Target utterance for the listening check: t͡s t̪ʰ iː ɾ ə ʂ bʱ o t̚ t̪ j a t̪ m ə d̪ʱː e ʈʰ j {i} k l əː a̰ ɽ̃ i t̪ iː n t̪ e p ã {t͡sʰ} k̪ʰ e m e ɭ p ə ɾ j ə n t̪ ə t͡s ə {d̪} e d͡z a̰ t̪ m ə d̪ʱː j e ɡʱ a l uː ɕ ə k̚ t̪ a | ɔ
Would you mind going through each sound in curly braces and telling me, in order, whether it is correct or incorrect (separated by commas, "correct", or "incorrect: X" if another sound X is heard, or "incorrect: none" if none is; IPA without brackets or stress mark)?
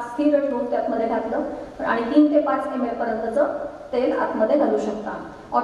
incorrect: a, incorrect: t͡s, incorrect: t̪